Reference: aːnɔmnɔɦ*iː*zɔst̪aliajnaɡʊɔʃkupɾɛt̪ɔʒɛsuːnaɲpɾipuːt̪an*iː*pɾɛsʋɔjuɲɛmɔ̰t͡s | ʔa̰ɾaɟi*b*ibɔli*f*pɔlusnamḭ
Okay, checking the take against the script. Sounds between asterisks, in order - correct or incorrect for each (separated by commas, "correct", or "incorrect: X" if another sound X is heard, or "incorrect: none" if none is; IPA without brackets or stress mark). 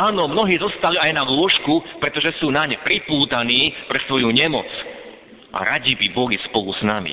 correct, correct, correct, incorrect: s